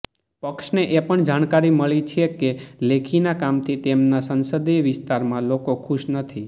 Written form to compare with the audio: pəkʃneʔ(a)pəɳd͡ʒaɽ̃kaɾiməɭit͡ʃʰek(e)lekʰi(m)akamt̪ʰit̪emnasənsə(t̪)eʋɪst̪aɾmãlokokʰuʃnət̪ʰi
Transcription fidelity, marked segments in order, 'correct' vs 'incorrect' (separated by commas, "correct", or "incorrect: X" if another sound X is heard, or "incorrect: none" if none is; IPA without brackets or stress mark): incorrect: e, correct, incorrect: n, incorrect: d̪